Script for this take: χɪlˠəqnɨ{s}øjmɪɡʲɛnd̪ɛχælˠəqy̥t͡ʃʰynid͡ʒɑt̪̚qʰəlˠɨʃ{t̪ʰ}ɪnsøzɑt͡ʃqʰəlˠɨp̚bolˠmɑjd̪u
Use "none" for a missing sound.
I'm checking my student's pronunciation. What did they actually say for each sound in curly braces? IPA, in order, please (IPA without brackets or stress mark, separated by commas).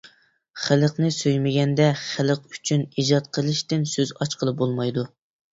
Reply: s, t̪